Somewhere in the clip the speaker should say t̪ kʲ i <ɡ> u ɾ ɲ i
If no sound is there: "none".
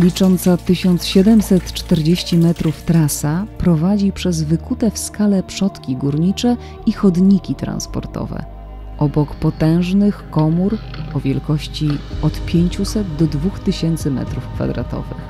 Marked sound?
ɡ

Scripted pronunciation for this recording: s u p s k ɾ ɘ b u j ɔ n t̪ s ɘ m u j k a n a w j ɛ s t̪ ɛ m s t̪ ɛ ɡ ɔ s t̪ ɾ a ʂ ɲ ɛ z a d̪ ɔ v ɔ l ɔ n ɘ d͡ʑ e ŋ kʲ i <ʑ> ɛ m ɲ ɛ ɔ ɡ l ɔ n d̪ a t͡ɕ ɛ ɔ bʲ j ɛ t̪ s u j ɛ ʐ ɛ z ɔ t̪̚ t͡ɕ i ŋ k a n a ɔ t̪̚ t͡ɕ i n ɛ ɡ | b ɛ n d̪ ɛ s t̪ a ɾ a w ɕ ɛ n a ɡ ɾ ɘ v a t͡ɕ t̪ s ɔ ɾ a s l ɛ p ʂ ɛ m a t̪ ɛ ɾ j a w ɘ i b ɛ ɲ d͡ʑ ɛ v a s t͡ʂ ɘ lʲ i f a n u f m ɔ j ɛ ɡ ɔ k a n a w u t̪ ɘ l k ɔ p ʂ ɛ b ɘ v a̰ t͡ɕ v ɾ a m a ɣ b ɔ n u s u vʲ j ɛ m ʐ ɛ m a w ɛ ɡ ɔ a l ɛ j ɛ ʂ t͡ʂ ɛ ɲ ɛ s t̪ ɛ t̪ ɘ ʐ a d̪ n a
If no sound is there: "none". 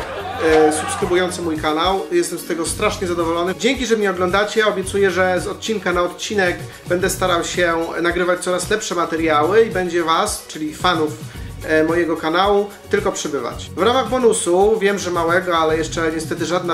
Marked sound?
ʐ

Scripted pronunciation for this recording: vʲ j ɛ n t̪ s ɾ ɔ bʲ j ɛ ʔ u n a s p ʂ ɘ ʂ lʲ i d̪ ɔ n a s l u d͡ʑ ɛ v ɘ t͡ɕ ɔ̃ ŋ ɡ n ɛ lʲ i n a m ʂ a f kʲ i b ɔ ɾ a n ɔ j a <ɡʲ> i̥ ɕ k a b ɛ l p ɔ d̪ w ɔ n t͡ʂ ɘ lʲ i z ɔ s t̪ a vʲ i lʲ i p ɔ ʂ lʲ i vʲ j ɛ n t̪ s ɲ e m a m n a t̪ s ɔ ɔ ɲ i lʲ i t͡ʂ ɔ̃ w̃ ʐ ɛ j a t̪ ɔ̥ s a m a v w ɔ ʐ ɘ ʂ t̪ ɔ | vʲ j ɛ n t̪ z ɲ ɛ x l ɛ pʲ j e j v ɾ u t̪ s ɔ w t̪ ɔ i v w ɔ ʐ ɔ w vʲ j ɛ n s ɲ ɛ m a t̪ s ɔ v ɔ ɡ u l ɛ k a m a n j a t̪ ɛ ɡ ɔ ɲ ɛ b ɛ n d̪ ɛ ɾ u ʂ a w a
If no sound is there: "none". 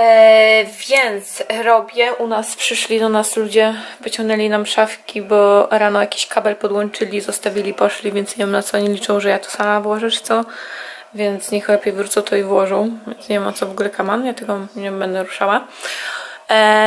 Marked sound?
kʲ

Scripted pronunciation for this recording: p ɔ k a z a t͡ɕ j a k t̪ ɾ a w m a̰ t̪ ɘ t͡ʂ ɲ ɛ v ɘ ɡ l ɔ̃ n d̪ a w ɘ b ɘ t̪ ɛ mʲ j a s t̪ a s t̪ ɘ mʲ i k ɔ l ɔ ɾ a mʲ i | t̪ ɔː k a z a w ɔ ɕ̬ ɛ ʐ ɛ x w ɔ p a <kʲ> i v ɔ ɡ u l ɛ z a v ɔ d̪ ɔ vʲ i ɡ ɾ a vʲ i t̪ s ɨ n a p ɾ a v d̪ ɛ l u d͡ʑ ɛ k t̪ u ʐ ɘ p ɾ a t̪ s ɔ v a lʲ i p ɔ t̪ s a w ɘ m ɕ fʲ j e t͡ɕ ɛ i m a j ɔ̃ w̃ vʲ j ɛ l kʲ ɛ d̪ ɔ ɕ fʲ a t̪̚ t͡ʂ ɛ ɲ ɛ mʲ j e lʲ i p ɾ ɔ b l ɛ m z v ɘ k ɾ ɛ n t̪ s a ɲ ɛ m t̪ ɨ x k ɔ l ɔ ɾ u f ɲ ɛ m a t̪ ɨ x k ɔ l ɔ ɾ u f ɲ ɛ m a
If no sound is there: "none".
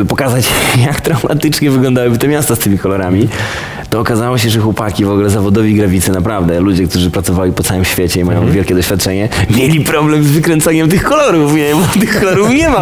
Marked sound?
kʲ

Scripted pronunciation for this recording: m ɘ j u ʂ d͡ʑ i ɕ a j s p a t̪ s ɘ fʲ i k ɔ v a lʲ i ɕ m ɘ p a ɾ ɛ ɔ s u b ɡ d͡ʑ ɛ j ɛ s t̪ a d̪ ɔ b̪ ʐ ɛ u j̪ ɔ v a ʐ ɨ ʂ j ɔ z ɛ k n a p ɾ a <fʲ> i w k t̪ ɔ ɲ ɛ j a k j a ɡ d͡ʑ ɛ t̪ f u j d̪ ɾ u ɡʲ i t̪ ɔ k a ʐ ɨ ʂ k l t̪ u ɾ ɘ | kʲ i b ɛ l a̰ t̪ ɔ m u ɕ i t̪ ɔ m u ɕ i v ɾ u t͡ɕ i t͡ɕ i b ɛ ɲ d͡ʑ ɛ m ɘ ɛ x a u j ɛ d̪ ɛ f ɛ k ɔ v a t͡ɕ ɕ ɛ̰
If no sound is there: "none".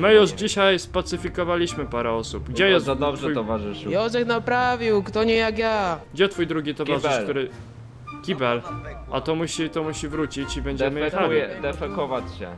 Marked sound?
vʲ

